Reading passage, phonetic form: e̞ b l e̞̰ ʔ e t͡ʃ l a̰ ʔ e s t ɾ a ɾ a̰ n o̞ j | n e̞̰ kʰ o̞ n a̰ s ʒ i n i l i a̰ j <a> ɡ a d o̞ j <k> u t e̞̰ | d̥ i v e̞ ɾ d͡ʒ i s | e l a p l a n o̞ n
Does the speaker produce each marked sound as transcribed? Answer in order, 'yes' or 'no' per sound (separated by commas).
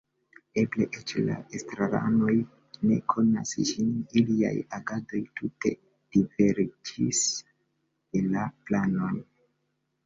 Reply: yes, no